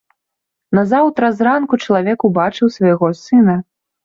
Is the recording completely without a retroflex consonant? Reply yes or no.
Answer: no